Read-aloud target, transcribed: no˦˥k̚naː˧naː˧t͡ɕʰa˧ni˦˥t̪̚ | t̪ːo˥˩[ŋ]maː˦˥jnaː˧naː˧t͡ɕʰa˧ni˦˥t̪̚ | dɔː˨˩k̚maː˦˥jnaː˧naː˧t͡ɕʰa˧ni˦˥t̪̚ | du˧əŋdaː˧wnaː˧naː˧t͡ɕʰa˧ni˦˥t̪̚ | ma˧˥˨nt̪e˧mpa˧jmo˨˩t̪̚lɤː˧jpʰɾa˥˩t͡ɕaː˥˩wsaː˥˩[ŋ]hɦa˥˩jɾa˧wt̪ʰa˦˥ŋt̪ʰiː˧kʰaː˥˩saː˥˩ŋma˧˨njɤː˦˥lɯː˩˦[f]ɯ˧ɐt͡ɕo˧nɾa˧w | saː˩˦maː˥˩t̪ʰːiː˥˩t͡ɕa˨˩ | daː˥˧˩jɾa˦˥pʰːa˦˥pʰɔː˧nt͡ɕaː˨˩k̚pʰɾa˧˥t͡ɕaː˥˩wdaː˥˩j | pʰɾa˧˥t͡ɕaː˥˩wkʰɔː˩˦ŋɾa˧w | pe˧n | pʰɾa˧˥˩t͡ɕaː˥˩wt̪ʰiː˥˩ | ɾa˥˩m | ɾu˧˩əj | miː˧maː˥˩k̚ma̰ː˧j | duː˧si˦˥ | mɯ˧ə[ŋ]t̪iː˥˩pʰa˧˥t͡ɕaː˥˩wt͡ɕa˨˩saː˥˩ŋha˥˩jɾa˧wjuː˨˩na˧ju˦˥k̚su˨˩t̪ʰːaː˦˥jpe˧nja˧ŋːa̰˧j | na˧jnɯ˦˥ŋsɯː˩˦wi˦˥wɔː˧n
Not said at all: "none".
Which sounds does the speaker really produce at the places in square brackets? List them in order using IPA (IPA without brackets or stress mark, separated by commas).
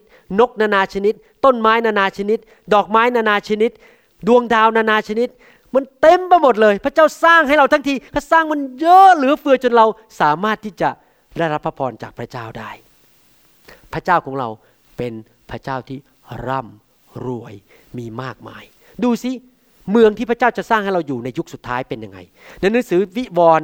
n, ŋ, f, ŋ